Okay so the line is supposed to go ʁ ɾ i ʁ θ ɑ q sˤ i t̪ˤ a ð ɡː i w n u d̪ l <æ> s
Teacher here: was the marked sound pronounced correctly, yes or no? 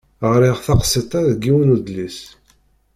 no